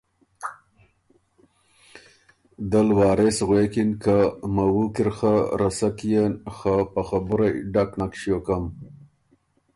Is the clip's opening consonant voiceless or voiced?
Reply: voiced